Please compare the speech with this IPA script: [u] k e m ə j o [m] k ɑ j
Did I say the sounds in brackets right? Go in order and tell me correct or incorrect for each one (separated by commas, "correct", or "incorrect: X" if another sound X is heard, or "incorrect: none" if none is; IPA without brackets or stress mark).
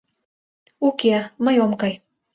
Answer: correct, correct